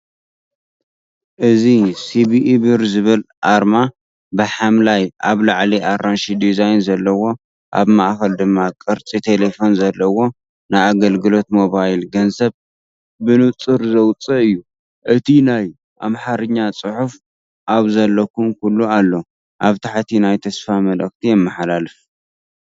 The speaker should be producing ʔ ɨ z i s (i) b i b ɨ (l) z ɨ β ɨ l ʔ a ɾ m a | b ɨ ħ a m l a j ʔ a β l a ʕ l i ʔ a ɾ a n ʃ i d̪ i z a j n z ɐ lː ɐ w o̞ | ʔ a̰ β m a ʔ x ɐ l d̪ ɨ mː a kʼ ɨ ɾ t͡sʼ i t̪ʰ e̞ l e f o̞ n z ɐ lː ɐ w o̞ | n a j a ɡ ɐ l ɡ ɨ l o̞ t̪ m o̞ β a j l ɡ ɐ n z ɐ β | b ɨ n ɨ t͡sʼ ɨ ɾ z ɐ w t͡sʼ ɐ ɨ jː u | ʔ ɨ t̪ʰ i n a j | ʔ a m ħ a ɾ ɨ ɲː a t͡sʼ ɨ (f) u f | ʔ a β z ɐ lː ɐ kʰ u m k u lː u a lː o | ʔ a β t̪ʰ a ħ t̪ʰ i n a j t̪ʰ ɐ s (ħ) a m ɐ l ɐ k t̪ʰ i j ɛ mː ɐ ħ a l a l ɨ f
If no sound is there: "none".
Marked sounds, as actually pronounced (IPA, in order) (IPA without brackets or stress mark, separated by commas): i, ɾ, ħ, f